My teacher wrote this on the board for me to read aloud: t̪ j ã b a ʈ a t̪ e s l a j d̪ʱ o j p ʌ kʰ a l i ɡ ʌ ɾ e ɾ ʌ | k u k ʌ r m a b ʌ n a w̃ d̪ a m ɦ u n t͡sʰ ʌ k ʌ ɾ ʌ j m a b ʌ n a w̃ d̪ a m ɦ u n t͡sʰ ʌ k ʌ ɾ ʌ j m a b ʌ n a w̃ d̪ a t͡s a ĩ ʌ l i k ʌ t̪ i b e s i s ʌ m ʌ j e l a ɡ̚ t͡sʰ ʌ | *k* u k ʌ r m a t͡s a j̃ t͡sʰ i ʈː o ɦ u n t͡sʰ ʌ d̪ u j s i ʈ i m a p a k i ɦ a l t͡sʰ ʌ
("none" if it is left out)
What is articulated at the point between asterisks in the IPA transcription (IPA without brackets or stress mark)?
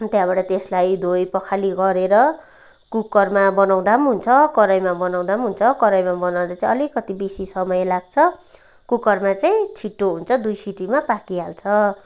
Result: k